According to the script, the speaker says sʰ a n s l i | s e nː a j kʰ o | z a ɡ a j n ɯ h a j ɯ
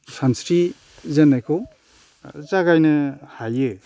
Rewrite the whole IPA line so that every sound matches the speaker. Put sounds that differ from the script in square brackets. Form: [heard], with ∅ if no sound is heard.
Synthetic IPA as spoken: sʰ a n s [ɾ] i | [z] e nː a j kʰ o | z a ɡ a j n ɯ h a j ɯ

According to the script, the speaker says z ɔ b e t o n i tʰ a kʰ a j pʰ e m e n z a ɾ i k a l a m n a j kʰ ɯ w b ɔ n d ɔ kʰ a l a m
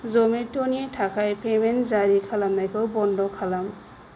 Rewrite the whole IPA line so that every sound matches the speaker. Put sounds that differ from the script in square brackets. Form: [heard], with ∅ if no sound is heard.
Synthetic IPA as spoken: z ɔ [m] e t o n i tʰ a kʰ a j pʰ e m e n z a ɾ i [kʰ] a l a m n a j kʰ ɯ w b ɔ n d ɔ kʰ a l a m

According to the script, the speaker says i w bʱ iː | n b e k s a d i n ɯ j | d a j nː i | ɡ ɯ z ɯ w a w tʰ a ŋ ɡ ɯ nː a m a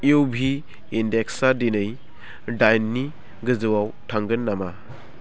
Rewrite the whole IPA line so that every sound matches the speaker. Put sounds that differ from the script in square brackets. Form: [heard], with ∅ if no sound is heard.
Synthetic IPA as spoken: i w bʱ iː | n [d] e k s a d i n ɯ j | d a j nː i | ɡ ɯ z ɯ w a w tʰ a ŋ ɡ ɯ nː a m a

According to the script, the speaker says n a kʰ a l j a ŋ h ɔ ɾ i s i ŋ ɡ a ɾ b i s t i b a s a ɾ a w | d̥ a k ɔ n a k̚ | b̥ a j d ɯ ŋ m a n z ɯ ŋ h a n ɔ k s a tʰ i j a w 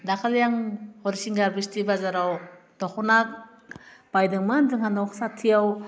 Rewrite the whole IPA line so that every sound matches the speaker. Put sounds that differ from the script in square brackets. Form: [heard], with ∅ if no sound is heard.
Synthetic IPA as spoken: [d] a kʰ a l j a ŋ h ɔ ɾ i s i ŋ ɡ a ɾ b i s t i b a [z] a ɾ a w | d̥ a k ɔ n a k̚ | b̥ a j d ɯ ŋ m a n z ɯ ŋ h a n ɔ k s a tʰ i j a w

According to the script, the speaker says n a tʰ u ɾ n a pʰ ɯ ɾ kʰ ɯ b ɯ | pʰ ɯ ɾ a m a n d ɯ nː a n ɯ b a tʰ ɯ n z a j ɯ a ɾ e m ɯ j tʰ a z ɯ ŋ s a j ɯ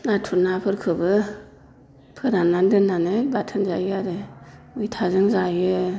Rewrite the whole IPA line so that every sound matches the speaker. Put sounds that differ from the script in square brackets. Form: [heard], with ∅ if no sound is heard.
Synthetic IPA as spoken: n a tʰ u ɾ n a pʰ ɯ ɾ kʰ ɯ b ɯ | pʰ ɯ ɾ a [n] a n d ɯ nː a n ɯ b a tʰ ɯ n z a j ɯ a ɾ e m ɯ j tʰ a z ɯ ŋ [z] a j ɯ

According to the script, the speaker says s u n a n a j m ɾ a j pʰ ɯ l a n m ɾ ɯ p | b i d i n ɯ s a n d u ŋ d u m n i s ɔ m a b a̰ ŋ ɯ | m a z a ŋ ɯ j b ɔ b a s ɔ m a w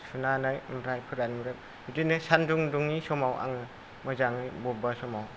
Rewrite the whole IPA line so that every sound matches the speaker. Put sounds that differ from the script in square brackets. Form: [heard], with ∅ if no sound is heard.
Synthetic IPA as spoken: s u n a n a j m ɾ a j pʰ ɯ [ɾ] a n m ɾ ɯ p | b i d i n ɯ s a n d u ŋ d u [ŋ] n i s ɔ m a [w] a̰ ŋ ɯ | m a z a ŋ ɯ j b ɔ b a s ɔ m a w

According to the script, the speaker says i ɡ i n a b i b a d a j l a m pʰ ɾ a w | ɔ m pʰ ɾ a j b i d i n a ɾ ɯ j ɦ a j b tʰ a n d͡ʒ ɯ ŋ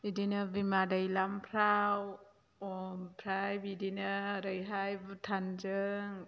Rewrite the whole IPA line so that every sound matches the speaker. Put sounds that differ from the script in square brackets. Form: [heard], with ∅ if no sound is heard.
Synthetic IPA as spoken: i [d] i n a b i [m] a d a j l a m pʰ ɾ a w | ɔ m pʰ ɾ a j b i d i n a ɾ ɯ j ɦ a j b tʰ a n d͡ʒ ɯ ŋ

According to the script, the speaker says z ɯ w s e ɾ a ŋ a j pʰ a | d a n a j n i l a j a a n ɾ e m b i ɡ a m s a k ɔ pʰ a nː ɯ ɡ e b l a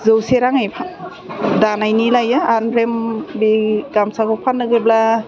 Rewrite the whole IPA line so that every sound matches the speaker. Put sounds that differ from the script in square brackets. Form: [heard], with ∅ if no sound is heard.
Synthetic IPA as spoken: z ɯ w s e ɾ a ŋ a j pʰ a | d a n a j n i l a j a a n ɾ e m b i ɡ a m s a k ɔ pʰ a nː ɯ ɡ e b l a

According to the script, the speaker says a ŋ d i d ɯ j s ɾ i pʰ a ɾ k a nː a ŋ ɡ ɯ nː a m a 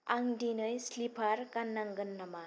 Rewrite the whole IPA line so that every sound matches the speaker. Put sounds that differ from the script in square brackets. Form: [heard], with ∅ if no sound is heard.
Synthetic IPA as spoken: a ŋ d i [n] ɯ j s [l] i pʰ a ɾ k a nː a ŋ ɡ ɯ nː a m a

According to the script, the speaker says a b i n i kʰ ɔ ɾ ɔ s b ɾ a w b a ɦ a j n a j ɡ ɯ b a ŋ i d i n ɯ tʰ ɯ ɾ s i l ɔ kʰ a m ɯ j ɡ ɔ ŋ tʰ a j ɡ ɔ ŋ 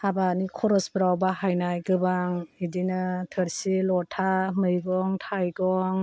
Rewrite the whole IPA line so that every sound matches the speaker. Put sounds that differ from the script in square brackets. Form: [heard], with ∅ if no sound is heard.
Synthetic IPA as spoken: a b [a] n i kʰ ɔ ɾ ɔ s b ɾ a w b a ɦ a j n a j ɡ ɯ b a ŋ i d i n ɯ tʰ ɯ ɾ s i l ɔ [tʰ] a m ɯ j ɡ ɔ ŋ tʰ a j ɡ ɔ ŋ

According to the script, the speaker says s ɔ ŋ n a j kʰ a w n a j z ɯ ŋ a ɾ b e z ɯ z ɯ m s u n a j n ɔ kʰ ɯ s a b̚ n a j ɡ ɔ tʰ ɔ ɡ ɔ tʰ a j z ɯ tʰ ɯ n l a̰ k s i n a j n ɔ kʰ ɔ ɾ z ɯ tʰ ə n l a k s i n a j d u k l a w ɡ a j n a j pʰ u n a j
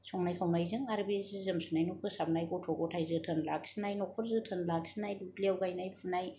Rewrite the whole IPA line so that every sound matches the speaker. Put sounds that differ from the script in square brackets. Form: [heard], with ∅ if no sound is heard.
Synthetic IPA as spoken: s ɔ ŋ n a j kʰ a w n a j z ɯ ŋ a ɾ b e z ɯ z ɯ m s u n a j n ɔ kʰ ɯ s a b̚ n a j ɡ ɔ tʰ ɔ ɡ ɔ tʰ a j z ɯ tʰ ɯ n l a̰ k s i n a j n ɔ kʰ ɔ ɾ z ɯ tʰ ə n l a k s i n a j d u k l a w ɡ a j n a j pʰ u n a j

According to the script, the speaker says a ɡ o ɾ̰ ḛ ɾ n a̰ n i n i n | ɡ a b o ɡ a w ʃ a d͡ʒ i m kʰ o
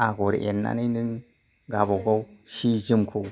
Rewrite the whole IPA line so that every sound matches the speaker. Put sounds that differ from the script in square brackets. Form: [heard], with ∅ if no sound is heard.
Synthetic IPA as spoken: a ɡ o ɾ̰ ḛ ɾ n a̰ n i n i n | ɡ a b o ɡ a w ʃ [i] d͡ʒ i m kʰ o

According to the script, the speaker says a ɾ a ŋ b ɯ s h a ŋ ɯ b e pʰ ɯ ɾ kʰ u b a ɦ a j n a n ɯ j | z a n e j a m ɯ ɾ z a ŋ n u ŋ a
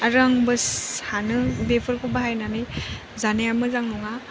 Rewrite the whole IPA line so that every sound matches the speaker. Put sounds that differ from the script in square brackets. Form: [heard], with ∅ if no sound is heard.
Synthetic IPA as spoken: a ɾ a ŋ b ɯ s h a [n] ɯ b e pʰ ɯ ɾ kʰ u b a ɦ a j n a n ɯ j | z a n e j a m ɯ [∅] z a ŋ n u ŋ a

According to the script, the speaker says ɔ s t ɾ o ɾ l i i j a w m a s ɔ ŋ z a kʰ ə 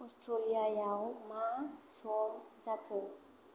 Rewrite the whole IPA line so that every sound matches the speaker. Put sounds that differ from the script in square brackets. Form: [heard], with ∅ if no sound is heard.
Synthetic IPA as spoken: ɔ s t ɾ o [∅] l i [a] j a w m a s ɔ [m] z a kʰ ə

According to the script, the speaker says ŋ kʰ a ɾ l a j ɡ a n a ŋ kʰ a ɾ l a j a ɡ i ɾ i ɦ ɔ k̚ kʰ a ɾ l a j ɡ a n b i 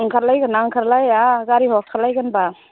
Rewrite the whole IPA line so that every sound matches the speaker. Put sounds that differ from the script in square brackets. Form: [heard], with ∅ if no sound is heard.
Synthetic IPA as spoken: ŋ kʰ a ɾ l a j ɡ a n a ŋ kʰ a ɾ l a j a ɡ [a] ɾ i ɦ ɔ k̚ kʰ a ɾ l a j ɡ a n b [a]

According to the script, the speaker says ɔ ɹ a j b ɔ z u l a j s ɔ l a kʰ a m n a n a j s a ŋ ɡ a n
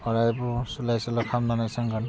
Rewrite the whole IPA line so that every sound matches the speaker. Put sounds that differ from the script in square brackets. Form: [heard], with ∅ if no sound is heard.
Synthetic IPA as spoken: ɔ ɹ a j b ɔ [s] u l a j s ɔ l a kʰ a m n a n a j s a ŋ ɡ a n

